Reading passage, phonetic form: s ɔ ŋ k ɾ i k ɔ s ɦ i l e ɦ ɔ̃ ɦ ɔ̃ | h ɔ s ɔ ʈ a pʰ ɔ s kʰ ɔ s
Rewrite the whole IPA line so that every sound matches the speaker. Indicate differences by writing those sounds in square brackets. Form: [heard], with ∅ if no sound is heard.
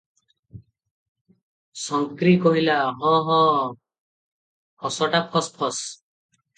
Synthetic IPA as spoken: s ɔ ŋ k ɾ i k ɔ [∅] ɦ i l [a] ɦ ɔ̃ ɦ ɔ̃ | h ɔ s ɔ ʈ a pʰ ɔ s [pʰ] ɔ s